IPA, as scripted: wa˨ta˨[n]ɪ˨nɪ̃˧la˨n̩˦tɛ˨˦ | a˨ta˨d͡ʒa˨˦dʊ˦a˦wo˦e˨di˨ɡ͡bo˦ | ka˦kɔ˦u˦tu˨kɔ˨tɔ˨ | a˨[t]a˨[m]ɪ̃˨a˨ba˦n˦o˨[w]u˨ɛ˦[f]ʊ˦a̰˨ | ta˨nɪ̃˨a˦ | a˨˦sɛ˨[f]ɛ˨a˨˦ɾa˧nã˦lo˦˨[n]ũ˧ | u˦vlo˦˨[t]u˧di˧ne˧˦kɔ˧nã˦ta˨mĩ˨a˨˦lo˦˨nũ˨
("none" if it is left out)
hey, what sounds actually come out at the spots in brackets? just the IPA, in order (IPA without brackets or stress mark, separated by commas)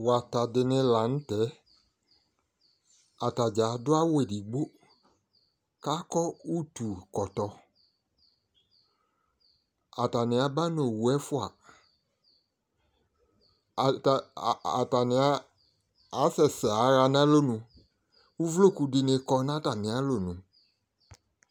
d, t, n, w, f, s, n, k